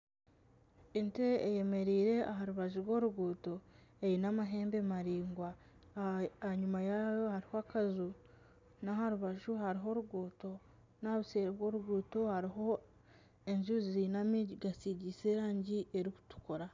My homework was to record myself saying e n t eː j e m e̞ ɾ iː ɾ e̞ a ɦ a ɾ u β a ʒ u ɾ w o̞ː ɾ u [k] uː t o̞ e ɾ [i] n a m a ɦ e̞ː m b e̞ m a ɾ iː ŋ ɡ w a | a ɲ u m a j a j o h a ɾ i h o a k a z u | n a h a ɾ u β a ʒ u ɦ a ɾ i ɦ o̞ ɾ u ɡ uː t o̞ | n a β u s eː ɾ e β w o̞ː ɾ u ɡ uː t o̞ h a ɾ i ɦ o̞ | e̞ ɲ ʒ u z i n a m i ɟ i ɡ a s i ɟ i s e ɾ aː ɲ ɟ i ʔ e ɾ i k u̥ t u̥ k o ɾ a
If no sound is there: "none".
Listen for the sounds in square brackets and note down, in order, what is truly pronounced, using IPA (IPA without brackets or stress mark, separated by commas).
ɡ, i